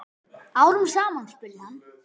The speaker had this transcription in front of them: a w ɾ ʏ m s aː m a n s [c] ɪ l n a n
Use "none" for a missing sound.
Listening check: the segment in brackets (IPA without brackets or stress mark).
p